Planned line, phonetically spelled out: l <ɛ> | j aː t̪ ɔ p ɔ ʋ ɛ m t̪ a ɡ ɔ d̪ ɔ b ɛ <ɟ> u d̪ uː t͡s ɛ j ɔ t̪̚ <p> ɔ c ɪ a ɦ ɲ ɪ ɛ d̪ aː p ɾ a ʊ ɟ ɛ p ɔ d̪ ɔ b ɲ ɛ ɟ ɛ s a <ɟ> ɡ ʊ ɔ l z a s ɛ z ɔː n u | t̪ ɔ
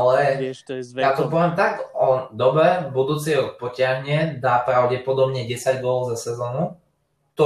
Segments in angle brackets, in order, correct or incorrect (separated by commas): correct, incorrect, correct, correct